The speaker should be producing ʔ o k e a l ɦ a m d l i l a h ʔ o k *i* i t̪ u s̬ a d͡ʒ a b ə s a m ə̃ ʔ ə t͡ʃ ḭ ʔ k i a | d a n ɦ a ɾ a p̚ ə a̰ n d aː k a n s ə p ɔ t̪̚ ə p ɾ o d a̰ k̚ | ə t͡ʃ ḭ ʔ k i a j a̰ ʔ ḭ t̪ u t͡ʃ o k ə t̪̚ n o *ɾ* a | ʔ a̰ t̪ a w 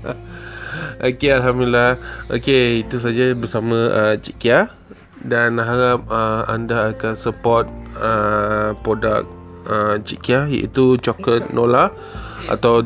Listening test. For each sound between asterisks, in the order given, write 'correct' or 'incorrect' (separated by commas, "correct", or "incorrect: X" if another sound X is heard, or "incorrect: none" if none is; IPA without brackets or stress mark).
incorrect: e, incorrect: l